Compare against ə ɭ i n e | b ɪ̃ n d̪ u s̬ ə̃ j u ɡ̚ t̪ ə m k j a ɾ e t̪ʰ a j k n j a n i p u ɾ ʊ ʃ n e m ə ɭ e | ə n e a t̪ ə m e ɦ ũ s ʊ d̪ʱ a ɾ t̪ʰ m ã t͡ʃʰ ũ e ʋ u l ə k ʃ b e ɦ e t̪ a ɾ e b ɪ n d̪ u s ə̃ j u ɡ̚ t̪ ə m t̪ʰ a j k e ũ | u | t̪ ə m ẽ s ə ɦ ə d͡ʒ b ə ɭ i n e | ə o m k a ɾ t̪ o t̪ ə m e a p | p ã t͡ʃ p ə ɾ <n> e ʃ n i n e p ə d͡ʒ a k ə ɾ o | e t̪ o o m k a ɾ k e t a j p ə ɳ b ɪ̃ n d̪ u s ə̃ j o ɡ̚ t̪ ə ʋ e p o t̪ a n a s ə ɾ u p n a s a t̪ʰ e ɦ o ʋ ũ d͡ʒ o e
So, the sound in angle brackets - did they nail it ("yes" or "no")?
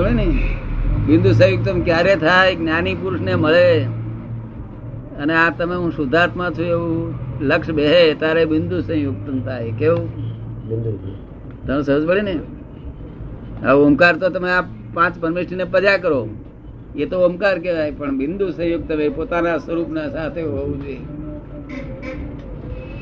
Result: no